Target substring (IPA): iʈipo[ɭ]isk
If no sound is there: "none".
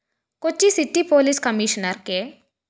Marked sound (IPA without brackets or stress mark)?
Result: l